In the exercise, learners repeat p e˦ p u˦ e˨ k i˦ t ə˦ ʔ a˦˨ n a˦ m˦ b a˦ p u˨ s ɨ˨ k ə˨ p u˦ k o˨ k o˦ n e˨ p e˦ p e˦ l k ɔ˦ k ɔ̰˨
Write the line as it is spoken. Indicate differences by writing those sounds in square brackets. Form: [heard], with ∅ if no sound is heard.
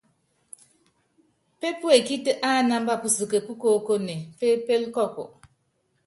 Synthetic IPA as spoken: p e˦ p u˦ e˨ k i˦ t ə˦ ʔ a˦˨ n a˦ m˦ b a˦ p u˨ s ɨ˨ k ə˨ p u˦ k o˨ k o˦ n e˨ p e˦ p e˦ l k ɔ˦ k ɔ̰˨